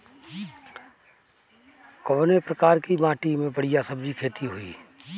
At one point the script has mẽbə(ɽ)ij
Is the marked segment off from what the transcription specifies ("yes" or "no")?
no